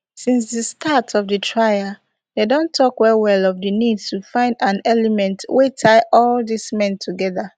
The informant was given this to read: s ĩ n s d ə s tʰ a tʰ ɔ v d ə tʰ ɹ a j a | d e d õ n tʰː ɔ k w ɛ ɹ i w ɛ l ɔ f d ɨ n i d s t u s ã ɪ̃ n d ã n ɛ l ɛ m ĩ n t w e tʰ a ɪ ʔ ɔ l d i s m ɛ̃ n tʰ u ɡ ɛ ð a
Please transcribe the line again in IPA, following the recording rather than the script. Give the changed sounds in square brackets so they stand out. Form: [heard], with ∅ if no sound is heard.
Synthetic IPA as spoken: s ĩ n s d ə s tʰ a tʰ ɔ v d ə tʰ ɹ a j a | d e d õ n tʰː ɔ k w ɛ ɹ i w ɛ l ɔ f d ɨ n i d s t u [f] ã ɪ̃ n d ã n ɛ l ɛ m [ɛ̃] n t w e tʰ a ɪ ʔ ɔ l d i s m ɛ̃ n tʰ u ɡ ɛ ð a